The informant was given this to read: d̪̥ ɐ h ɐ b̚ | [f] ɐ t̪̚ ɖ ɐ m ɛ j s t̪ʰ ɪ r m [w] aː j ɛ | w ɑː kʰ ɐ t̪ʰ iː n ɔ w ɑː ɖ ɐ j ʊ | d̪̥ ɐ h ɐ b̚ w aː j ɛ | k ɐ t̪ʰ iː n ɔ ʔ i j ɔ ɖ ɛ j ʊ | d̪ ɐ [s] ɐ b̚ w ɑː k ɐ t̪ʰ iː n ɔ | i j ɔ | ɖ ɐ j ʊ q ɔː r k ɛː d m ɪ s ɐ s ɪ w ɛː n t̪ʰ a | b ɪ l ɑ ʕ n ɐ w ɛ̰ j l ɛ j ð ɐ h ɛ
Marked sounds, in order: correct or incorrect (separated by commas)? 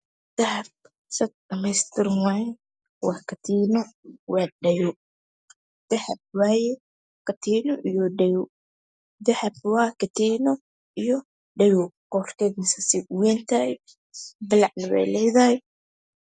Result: incorrect, correct, incorrect